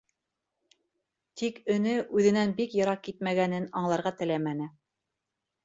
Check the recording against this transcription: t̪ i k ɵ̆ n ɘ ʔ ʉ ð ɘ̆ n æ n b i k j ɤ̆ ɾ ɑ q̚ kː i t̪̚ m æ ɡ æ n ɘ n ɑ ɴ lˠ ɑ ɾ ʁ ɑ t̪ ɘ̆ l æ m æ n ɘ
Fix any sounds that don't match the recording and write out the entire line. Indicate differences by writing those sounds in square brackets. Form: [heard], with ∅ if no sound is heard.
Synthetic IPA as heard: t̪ i k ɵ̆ n ɘ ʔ ʉ ð ɘ̆ n æ n b i k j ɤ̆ ɾ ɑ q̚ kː i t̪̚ m æ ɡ æ n ɘ n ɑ ɴ lˠ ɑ ɾ ʁ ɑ t̪ ɘ̆ l æ m æ n ɘ